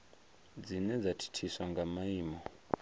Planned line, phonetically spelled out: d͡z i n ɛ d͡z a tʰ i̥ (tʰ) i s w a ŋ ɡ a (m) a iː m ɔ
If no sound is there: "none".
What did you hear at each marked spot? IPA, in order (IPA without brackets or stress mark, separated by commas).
tʰ, m